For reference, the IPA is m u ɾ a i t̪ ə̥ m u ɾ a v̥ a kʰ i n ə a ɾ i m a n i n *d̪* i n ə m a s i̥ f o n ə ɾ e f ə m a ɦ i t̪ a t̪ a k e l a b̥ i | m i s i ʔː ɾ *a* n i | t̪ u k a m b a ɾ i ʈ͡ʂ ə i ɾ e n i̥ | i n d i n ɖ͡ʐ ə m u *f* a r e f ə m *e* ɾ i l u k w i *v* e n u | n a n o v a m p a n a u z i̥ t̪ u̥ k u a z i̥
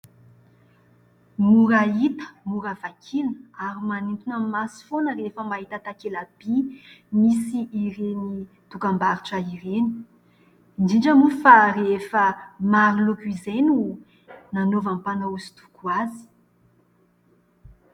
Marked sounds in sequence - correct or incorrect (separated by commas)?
incorrect, incorrect, correct, incorrect, incorrect